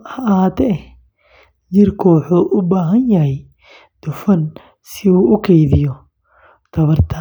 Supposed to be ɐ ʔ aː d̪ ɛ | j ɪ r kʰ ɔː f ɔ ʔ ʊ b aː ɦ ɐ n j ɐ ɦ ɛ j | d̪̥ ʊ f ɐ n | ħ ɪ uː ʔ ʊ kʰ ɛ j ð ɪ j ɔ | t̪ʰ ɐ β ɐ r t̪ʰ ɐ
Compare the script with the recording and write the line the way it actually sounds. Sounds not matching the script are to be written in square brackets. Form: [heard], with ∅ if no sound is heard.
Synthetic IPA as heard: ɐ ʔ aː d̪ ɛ | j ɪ r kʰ ɔː [ħ] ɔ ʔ ʊ b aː ɦ ɐ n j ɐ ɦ ɛ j | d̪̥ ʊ f ɐ n | [s] ɪ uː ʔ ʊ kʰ ɛ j ð ɪ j ɔ | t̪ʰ ɐ β ɐ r t̪ʰ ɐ